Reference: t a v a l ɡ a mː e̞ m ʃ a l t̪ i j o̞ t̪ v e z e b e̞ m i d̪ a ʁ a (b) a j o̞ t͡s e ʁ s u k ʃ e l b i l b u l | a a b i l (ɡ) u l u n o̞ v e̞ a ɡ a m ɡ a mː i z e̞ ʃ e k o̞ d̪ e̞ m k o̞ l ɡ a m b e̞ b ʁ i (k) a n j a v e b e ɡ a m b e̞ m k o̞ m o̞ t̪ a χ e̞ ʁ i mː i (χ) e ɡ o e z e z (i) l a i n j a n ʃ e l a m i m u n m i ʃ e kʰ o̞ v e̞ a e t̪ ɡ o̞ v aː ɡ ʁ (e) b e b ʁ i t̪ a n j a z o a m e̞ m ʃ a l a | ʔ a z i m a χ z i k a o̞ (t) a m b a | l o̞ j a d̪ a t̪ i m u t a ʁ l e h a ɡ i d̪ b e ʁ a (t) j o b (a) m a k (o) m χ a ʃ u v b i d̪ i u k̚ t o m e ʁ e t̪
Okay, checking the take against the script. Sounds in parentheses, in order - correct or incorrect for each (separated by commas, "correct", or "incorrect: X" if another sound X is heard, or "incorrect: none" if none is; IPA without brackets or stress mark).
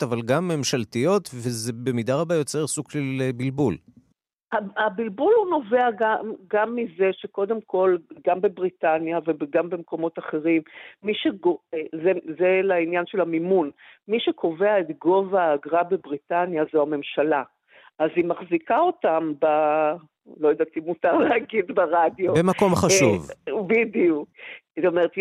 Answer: correct, incorrect: b, incorrect: t, incorrect: ʃ, incorrect: e, incorrect: a, correct, incorrect: d, incorrect: e, correct